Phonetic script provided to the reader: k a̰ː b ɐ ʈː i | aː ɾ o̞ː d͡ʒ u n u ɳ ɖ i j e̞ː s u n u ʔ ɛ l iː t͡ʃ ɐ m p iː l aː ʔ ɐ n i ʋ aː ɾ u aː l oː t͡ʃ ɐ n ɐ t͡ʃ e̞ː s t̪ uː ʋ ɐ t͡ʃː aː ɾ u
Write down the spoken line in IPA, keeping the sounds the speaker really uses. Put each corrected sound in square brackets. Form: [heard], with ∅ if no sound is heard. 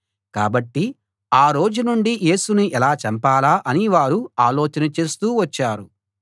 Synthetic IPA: k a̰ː b ɐ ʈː i | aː ɾ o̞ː d͡ʒ u n u ɳ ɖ i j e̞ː s u n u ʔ ɛ l [aː] t͡ʃ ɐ m p [aː] l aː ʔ ɐ n i ʋ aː ɾ u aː l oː t͡ʃ ɐ n ɐ t͡ʃ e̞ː s t̪ uː ʋ ɐ t͡ʃː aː ɾ u